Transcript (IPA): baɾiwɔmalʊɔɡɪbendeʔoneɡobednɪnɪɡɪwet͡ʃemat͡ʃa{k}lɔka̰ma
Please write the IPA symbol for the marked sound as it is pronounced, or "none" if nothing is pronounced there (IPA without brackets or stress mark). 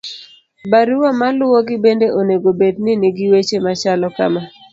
none